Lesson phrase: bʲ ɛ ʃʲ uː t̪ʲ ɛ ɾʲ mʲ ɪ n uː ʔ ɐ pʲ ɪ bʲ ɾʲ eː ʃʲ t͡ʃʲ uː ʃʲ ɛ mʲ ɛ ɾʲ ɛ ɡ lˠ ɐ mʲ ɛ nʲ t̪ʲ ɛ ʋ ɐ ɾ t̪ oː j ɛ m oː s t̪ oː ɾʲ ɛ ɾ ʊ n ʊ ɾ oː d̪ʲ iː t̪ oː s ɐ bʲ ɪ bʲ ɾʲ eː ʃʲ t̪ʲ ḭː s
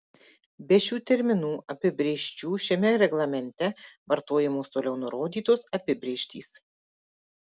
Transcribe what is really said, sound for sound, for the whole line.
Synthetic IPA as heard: bʲ ɛ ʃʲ uː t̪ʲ ɛ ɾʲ mʲ ɪ n uː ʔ ɐ pʲ ɪ bʲ ɾʲ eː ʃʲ t͡ʃʲ uː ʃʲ ɛ mʲ ɛ ɾʲ ɛ ɡ lˠ ɐ mʲ ɛ nʲ t̪ʲ ɛ ʋ ɐ ɾ t̪ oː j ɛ m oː s t̪ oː lʲ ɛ ʊ n ʊ ɾ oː d̪ʲ iː t̪ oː s ɐ pʲ ɪ bʲ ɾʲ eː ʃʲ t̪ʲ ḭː s

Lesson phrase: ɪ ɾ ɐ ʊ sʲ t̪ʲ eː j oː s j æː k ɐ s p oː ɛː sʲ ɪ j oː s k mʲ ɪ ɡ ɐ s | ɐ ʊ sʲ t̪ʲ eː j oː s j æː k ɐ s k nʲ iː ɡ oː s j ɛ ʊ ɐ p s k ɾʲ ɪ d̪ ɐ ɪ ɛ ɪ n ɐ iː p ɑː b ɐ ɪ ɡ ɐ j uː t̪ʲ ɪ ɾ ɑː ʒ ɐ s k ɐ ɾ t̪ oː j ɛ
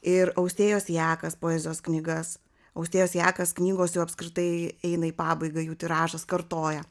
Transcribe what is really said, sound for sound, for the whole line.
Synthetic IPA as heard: ɪ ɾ ɐ ʊ sʲ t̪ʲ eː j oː s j æː k ɐ s p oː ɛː zʲ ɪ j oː s k nʲ ɪ ɡ ɐ s | ɐ ʊ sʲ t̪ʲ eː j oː s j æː k ɐ s k nʲ iː ɡ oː s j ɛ ʊ ɐ p s k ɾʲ ɪ t̪ ɐ ɪ ɛ ɪ n ɐ iː p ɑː b ɐ ɪ ɡ ɐ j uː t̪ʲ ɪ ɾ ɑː ʒ ɐ s k ɐ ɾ t̪ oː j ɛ

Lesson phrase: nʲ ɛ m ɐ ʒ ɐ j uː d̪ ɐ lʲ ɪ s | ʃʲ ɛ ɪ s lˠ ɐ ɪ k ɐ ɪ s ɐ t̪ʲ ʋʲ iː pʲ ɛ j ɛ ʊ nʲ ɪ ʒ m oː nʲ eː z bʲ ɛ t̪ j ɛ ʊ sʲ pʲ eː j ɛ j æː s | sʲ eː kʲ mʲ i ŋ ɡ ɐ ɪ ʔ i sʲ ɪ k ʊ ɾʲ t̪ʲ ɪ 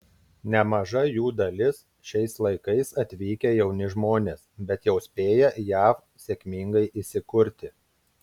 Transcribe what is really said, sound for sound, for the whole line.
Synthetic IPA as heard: nʲ ɛ m ɐ ʒ ɐ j uː d̪ ɐ lʲ ɪ s | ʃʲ ɛ ɪ s lˠ ɐ ɪ k ɐ ɪ s ɐ t̪ʲ ʋʲ iː kʲ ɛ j ɛ ʊ nʲ ɪ ʒ m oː nʲ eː s bʲ ɛ t̪ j ɛ ʊ sʲ pʲ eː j ɛ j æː f | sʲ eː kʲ mʲ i ŋ ɡ ɐ ɪ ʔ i sʲ ɪ k ʊ ɾʲ t̪ʲ ɪ

